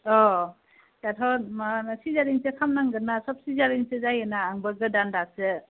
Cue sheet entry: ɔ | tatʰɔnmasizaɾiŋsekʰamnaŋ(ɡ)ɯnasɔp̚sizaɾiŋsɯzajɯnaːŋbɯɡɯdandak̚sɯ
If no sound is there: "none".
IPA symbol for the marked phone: ɡ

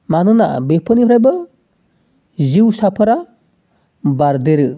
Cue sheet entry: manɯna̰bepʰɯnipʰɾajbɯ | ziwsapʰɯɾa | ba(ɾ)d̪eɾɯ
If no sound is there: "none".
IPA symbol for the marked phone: ɾ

